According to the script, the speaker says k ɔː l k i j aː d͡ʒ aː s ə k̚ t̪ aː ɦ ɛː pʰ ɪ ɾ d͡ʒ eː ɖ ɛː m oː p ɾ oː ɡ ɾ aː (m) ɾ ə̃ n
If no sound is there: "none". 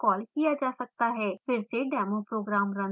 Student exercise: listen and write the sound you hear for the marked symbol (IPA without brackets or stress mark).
m